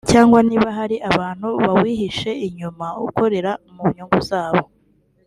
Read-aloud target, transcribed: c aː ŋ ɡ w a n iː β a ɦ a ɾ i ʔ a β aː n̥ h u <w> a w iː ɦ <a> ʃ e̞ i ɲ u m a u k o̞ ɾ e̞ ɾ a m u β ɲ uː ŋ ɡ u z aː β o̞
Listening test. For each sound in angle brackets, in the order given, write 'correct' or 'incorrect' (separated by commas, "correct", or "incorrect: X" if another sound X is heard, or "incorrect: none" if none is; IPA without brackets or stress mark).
incorrect: β, incorrect: i